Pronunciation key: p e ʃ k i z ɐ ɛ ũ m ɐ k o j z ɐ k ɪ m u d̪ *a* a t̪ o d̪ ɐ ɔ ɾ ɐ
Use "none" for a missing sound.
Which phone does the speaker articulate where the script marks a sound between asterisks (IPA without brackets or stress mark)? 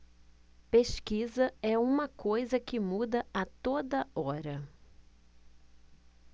ɐ